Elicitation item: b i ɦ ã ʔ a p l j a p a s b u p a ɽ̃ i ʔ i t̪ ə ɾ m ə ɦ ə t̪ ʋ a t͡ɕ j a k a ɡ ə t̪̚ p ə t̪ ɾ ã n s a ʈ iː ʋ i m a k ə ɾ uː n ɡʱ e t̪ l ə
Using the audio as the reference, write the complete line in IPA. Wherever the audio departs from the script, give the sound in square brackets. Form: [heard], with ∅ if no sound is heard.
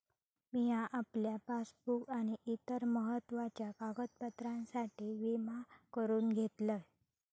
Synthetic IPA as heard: [m] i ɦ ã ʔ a p l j a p a s b u [k] a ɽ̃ i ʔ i t̪ ə ɾ m ə ɦ ə t̪ ʋ a t͡ɕ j a k a ɡ ə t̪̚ p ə t̪ ɾ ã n s a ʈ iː ʋ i m a k ə ɾ uː n ɡʱ e t̪ l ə